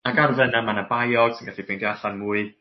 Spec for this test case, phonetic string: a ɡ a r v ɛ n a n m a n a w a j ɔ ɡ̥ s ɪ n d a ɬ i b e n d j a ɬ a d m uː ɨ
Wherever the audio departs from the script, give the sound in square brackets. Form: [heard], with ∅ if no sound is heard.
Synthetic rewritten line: a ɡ a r v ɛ n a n m a n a [b] a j ɔ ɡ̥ s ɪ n [ɡ] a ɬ i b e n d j a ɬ a [n] m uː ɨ